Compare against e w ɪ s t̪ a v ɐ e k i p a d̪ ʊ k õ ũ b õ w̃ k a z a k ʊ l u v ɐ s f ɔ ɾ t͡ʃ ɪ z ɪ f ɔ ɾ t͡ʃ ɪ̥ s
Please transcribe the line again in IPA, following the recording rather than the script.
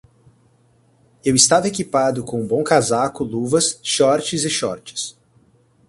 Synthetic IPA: e w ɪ s t̪ a v ɐ e k i p a d̪ ʊ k õ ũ b õ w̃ k a z a k ʊ l u v ɐ s ʃ ɔ ɾ t͡ʃ ɪ z ɪ ʃ ɔ ɾ t͡ʃ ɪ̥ s